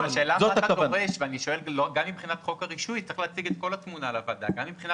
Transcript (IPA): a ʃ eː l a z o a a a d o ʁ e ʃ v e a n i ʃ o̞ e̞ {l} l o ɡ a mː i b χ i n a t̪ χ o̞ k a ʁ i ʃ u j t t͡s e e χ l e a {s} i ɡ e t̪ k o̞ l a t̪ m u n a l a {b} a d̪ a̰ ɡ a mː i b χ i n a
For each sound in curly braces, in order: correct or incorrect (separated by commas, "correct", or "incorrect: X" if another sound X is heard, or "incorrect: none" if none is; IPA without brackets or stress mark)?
correct, incorrect: t͡s, incorrect: v